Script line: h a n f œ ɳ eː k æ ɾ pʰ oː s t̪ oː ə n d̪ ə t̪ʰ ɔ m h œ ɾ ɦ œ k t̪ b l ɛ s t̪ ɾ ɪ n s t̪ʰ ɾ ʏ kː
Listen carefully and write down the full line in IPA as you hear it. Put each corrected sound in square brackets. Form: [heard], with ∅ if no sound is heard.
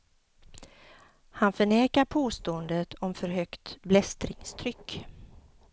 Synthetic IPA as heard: h a n f œ ɳ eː k [a] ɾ pʰ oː s t̪ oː ə n d̪ ə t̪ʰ ɔ m [f] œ ɾ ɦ œ k t̪ b l ɛ s t̪ ɾ ɪ [ŋ] s t̪ʰ ɾ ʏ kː